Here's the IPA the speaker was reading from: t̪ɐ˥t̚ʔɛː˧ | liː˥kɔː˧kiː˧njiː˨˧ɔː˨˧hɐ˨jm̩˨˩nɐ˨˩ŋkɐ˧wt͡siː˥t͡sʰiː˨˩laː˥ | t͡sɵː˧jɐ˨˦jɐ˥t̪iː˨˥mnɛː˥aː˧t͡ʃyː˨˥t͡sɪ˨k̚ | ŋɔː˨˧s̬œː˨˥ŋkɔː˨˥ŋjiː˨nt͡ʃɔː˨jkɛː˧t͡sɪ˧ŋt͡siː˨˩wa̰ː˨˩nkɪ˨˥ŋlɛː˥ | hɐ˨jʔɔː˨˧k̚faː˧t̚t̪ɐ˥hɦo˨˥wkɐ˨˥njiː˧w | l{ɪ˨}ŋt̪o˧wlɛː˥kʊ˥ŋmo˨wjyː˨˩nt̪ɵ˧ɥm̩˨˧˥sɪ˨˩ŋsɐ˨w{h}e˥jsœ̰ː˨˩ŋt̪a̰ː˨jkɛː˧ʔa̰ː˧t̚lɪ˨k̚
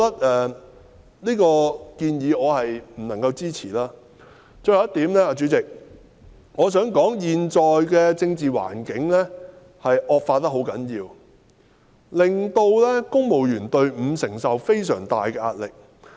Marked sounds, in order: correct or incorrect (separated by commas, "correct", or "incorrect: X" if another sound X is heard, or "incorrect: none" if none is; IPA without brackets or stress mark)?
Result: correct, incorrect: f